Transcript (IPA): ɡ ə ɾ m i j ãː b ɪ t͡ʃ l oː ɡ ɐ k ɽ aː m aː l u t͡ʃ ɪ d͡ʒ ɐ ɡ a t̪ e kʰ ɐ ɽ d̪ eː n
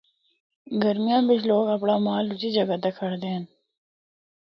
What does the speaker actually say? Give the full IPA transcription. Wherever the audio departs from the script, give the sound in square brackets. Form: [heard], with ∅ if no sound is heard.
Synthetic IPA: ɡ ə ɾ m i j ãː b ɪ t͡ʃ l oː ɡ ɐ [p] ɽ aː m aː l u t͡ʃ [i] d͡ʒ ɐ ɡ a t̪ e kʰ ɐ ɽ d̪ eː n